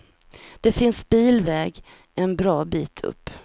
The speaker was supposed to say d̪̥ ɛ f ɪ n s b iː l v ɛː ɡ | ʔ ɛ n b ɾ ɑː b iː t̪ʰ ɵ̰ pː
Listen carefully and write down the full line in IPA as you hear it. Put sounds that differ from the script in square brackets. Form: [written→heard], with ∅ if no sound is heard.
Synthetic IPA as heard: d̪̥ ɛ f ɪ n s b iː l v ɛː ɡ | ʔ ɛ n b ɾ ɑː b iː t̪ʰ ɵ̰ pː